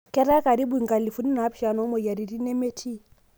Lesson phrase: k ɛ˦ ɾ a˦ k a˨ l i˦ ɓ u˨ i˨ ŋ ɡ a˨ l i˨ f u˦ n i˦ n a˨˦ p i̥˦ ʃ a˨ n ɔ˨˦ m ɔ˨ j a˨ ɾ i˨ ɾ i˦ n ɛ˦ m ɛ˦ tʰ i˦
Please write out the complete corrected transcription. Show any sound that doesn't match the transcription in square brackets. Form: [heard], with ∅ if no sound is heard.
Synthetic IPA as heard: k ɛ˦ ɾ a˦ k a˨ [ɾ] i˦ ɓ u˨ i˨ ŋ ɡ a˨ l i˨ f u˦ n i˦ n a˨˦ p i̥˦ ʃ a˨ n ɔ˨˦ m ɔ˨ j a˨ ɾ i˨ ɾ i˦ n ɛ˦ m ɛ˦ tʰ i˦